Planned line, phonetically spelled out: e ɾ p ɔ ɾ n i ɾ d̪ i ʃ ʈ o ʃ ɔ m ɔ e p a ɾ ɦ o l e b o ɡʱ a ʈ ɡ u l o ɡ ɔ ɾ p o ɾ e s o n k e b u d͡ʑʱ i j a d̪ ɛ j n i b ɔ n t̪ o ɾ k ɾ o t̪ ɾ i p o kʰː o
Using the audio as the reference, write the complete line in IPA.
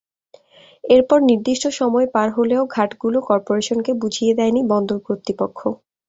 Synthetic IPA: e ɾ p ɔ ɾ n i ɾ d̪ i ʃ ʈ o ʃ ɔ m ɔ e p a ɾ ɦ o l e o ɡʱ a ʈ ɡ u l o k ɔ ɾ p o ɾ e ʃ o n k e b u d͡ʑʱ i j e d̪ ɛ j n i b ɔ n d̪ o ɾ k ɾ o t̪ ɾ i p o kʰː o